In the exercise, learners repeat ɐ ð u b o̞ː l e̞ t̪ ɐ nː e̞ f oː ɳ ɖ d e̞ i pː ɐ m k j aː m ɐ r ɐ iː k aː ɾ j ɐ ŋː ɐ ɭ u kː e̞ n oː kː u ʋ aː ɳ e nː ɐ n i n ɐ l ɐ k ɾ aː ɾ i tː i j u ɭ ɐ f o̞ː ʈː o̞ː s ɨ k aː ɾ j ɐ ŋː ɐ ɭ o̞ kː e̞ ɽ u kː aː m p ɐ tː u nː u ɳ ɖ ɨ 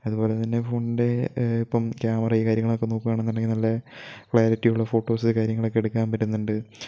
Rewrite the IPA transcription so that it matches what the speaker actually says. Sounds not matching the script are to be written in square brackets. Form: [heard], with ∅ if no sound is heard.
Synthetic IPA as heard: ɐ ð u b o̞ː l e̞ t̪ ɐ nː e̞ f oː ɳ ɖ d e̞ i pː ɐ m k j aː m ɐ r ɐ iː k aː ɾ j ɐ ŋː ɐ ɭ [o] kː e̞ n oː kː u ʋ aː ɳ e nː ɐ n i n ɐ [lː] ɐ k [ɭ] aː ɾ i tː i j u [ɭː] ɐ f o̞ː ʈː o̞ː s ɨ k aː ɾ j ɐ ŋː ɐ ɭ o̞ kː e̞ ɽ u kː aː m p ɐ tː u nː u ɳ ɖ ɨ

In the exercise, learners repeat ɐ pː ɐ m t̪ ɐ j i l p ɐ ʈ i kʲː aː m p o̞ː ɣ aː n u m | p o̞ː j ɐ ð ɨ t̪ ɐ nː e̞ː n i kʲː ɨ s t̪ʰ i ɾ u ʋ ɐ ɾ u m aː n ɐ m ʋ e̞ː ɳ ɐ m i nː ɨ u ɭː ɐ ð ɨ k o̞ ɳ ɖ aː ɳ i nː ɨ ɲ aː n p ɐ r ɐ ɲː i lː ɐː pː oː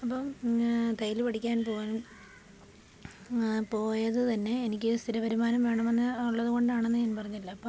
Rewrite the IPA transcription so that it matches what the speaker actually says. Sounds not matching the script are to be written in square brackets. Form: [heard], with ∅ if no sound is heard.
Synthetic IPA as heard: ɐ pː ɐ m t̪ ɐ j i l p ɐ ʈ i kʲː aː [n] p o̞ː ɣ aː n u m | p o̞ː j ɐ ð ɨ t̪ ɐ nː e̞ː n i kʲː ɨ s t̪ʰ i ɾ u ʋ ɐ ɾ u m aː n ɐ m ʋ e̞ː ɳ ɐ m [e] nː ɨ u ɭː ɐ ð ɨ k o̞ ɳ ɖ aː ɳ [e] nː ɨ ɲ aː n p ɐ r ɐ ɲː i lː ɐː pː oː

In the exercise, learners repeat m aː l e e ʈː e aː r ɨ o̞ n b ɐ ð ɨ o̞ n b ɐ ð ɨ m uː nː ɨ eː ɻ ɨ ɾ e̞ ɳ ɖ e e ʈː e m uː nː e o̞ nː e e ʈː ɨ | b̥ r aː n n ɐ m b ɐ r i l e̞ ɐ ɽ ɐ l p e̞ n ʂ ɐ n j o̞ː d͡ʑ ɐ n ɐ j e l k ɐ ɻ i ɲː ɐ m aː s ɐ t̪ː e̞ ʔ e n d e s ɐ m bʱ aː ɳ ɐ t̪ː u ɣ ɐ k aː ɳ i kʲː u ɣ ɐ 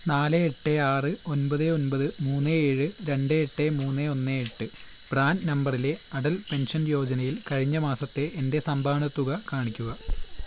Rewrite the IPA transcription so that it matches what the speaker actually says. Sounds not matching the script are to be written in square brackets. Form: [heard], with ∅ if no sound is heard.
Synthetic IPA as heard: [n] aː l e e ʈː e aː r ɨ o̞ n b ɐ ð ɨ o̞ n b ɐ ð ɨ m uː nː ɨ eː ɻ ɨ ɾ e̞ ɳ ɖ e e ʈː e m uː nː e o̞ nː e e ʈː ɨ | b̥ r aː n n ɐ m b ɐ r i l e̞ ɐ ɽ ɐ l p e̞ n ʂ ɐ n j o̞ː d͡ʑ ɐ n ɐ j [i] l k ɐ ɻ i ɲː ɐ m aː s ɐ t̪ː e̞ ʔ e n d e s ɐ m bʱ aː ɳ ɐ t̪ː u ɣ ɐ k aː ɳ i kʲː u ɣ ɐ

